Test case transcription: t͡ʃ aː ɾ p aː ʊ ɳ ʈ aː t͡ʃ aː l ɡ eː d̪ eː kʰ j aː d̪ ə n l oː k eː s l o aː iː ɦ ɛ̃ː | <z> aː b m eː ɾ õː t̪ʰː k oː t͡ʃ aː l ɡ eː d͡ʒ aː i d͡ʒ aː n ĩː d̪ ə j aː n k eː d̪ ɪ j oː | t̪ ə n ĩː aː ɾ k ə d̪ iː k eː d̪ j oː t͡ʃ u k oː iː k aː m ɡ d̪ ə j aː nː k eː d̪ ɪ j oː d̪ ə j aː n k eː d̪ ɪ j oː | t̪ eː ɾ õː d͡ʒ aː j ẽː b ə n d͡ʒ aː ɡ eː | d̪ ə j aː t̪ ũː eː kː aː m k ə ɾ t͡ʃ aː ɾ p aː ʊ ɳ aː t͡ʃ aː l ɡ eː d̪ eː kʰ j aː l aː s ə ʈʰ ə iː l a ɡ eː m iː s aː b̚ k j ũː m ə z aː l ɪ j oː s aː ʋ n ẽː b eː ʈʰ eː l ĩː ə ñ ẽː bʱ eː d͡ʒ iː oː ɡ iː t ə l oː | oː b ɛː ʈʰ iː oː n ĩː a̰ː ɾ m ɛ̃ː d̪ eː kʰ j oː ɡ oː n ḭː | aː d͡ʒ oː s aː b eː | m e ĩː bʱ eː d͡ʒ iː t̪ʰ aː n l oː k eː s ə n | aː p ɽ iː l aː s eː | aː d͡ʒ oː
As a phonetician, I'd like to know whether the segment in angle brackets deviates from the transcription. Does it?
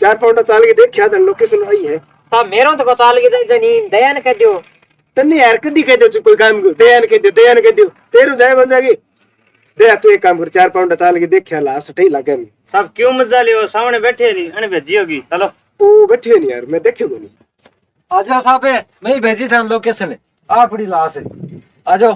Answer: yes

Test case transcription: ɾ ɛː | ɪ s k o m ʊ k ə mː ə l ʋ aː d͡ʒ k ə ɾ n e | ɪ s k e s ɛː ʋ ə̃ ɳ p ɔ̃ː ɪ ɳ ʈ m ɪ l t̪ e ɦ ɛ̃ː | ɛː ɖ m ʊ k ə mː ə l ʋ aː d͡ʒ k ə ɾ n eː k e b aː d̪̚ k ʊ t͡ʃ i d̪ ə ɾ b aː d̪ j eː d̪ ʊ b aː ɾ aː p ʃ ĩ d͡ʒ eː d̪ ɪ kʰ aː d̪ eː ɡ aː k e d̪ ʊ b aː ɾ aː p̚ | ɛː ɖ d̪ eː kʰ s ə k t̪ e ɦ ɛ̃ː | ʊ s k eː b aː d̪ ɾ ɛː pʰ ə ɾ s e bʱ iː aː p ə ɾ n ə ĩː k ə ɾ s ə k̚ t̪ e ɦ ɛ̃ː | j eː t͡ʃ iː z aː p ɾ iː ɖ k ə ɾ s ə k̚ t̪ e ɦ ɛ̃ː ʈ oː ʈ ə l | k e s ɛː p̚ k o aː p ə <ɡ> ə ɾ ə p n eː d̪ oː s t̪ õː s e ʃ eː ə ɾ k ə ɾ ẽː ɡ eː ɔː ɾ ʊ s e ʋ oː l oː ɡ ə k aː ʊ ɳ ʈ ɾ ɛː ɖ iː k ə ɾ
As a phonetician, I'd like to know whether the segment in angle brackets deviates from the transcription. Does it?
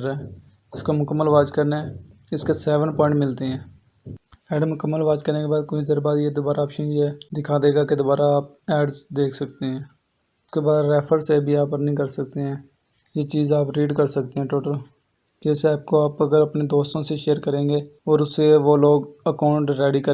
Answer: no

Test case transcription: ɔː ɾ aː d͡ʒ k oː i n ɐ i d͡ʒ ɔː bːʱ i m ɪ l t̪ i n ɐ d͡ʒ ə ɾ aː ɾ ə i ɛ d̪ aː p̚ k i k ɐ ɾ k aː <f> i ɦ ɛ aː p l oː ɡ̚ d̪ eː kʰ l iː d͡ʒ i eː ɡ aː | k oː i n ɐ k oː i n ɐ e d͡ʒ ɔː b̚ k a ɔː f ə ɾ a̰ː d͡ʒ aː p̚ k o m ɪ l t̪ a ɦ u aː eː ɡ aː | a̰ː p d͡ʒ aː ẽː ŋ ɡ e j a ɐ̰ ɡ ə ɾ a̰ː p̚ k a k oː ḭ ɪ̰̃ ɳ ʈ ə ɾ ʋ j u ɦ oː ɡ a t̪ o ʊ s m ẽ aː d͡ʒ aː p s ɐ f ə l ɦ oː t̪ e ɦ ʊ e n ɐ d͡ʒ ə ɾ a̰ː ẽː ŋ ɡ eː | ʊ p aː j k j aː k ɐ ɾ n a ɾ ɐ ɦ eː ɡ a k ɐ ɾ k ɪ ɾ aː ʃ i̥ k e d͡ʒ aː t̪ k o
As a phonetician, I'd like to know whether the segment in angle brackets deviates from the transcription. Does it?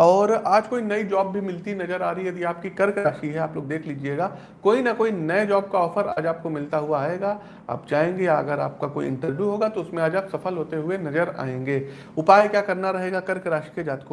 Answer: yes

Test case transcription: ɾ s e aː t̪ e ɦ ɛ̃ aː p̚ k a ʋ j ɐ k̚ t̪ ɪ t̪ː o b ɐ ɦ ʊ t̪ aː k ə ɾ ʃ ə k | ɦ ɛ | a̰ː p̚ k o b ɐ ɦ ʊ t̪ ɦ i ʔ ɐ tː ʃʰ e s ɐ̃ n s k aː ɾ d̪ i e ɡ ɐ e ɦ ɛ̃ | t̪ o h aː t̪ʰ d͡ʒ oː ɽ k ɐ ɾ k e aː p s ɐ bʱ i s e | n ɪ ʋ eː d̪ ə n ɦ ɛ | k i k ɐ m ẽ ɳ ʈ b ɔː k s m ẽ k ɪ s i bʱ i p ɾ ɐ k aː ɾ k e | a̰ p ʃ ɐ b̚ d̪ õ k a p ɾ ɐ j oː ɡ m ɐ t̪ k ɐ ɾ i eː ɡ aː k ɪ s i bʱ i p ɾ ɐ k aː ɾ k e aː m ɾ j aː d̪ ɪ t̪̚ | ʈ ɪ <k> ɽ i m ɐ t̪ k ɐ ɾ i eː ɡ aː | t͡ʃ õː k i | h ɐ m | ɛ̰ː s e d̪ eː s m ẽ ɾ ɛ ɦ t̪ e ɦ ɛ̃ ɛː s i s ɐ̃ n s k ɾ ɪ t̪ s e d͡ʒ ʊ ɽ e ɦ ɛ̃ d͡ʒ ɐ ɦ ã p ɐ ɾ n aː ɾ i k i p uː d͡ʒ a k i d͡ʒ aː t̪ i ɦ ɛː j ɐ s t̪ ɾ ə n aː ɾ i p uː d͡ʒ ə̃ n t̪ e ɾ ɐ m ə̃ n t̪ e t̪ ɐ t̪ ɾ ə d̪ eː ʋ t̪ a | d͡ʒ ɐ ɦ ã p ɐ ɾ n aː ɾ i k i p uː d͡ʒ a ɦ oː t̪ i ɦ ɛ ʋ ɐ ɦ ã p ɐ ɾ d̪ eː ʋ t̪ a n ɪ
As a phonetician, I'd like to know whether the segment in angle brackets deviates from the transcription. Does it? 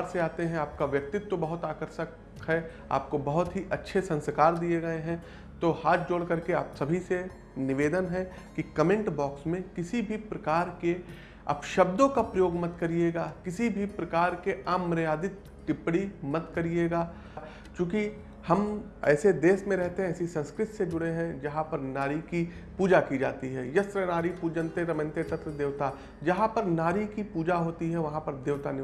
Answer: yes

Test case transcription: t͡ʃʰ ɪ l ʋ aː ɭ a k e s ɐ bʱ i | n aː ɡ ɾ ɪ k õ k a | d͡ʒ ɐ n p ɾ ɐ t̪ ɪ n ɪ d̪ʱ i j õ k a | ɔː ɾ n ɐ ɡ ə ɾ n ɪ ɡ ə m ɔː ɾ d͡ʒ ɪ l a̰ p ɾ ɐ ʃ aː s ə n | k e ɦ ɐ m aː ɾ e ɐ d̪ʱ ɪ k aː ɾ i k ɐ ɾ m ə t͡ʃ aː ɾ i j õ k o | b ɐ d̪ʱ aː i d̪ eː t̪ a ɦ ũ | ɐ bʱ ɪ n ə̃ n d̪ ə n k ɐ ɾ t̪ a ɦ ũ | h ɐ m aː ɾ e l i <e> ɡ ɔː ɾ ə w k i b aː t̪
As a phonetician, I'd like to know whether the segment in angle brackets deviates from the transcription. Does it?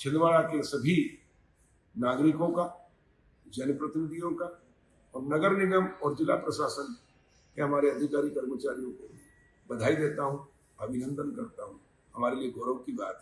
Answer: no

